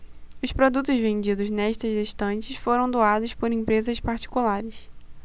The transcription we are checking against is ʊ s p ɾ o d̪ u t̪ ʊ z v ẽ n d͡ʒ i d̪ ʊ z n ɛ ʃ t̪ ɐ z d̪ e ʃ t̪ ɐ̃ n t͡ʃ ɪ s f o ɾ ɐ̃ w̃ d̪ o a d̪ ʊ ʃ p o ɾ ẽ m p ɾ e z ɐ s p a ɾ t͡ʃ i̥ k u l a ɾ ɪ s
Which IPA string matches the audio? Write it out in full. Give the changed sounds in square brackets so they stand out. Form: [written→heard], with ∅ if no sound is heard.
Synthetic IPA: ʊ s p ɾ o d̪ u t̪ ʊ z v ẽ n d͡ʒ i d̪ ʊ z n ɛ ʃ t̪ ɐ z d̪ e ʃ t̪ ɐ̃ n t͡ʃ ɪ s f o ɾ ɐ̃ w̃ d̪ o a d̪ ʊ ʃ p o ɾ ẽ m p ɾ e z ɐ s p a ɾ t͡ʃ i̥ k u l a ɾ ɪ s